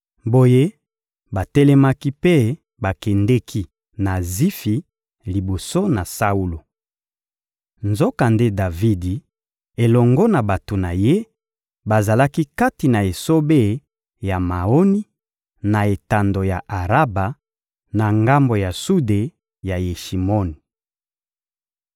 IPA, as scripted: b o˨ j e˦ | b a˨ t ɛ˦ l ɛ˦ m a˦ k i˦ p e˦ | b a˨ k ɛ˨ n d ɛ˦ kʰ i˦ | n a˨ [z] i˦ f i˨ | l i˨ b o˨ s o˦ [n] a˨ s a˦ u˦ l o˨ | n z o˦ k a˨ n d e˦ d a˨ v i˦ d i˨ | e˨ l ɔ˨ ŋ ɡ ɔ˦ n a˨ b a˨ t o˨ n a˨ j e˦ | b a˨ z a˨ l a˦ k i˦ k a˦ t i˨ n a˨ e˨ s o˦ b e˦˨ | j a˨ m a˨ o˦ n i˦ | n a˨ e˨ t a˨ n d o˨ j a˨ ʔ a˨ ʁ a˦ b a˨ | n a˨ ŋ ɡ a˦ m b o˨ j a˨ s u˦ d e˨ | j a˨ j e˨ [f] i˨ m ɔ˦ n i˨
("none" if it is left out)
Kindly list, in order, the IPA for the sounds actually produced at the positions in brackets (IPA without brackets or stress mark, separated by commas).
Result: z, n, ʃ